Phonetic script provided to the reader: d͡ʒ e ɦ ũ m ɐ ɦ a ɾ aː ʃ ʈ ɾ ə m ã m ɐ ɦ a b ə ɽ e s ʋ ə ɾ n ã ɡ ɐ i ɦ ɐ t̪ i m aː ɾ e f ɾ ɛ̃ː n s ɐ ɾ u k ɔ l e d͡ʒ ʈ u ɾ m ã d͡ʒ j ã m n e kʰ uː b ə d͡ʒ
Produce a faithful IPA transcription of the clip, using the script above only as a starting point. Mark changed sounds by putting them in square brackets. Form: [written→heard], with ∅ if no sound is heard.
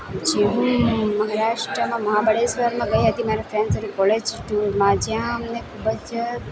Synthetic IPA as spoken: d͡ʒ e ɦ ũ m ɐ ɦ a ɾ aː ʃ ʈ ɾ ə m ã m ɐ ɦ a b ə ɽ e s ʋ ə ɾ [n→m] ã ɡ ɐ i ɦ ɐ t̪ i m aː ɾ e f ɾ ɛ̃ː n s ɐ ɾ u k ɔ l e d͡ʒ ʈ u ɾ m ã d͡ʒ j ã m n e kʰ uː b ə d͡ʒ